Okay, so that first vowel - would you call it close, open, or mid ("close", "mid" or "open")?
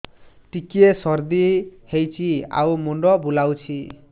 close